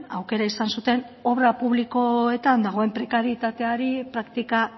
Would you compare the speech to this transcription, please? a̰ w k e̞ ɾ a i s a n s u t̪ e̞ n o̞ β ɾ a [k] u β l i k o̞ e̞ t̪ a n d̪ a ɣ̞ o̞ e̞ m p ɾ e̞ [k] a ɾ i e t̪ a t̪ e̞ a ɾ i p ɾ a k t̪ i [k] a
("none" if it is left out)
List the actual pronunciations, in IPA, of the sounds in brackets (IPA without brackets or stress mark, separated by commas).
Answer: p, k, k